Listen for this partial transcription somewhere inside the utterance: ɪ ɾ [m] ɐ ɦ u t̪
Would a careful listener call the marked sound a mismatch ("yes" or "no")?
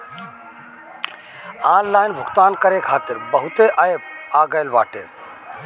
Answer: yes